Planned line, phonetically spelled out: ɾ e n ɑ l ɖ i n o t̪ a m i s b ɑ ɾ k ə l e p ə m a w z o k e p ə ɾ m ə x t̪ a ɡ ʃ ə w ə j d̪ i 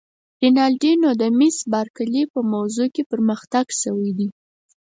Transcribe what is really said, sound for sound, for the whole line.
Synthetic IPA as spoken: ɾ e n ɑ l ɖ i n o d̪ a m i s b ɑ ɾ k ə l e p ə m a w z o k e p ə ɾ m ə x t̪ a ɡ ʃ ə w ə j d̪ i